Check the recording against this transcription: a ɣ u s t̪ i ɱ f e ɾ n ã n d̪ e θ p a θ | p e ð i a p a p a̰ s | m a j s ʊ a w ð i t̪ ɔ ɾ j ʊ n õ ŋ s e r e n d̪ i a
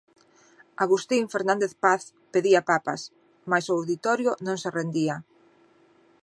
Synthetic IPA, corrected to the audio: a ɣ u s t̪ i ɱ f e ɾ n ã n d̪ e θ p a θ | p e ð i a p a p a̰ s | m a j s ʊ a w ð i t̪ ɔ ɾ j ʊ n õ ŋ s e r e n d̪ i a

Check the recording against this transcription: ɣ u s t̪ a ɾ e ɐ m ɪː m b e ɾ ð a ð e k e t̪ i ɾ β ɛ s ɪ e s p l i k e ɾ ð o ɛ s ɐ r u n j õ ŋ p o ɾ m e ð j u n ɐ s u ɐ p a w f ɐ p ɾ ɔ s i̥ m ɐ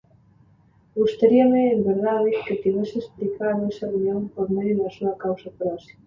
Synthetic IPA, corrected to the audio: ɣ u s t̪ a ɾ i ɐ m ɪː m b e ɾ ð a ð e k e t̪ i β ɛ s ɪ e s p l i k a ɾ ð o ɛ s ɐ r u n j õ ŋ p o ɾ m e ð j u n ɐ s u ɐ k a w s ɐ p ɾ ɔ s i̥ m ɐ

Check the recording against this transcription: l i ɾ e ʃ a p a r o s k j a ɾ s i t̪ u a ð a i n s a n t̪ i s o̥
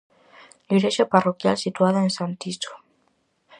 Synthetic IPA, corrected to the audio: l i ɾ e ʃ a p a r o k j a l s i t̪ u a ð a e n s a n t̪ i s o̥

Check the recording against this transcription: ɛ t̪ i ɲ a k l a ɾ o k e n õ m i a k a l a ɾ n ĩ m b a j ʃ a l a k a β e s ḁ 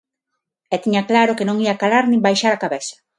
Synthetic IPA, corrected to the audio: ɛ t̪ i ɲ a k l a ɾ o k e n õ ŋ i a k a l a ɾ n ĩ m b a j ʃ a ɾ a k a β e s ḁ

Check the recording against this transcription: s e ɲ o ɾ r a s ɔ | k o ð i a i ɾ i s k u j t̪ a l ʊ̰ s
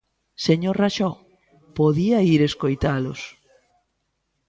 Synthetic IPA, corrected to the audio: s e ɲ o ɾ r a ʃ ɔ | p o ð i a i ɾ e s k o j t̪ a l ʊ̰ s

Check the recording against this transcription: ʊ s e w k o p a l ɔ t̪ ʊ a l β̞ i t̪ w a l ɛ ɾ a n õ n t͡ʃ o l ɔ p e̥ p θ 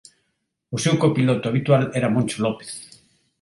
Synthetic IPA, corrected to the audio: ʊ s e w k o p i l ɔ t̪ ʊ a β̞ i t̪ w a l ɛ ɾ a m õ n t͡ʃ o l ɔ p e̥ θ

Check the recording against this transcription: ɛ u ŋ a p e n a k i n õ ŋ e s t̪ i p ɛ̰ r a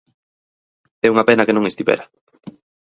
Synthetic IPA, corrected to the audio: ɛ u ŋ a p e n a k e n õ ŋ e s t̪ i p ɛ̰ ɾ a

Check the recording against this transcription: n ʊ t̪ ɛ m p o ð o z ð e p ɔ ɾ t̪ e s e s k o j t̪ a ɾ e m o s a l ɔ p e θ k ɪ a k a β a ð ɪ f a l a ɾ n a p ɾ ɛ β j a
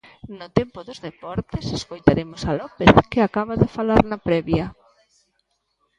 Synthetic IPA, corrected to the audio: n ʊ t̪ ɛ m p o ð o z ð e p ɔ ɾ t̪ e s e s k o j t̪ a ɾ e m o s a l ɔ p e θ k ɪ a k a β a ð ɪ f a l a ɾ n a p ɾ ɛ β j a

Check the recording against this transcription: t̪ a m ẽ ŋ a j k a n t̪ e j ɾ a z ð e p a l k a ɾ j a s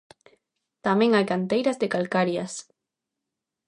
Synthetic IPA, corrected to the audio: t̪ a m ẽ ŋ a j k a n t̪ e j ɾ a z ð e k a l k a ɾ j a s

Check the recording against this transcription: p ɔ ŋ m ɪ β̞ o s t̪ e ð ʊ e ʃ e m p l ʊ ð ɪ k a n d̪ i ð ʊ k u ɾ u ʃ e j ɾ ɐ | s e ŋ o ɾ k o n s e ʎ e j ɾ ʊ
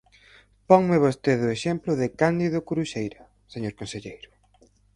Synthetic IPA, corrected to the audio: p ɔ ŋ m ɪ β̞ o s t̪ e ð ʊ e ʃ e m p l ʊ ð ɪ k a n d̪ i ð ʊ k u ɾ u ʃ e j ɾ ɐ | s e ɲ o ɾ k o n s e ʎ e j ɾ ʊ

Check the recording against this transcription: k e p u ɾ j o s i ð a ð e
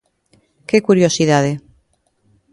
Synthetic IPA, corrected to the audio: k e k u ɾ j o s i ð a ð e

